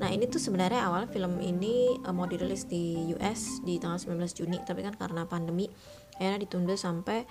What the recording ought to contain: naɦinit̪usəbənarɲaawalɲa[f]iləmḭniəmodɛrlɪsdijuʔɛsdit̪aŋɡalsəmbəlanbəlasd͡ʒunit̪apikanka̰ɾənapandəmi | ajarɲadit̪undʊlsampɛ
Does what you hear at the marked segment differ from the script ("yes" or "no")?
no